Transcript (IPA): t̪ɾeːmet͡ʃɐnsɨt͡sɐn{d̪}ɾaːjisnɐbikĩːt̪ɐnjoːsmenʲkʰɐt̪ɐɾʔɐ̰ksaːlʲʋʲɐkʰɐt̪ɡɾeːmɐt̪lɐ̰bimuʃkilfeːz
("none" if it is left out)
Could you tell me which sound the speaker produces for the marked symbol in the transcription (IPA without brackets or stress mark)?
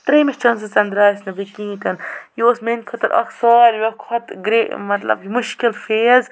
d̪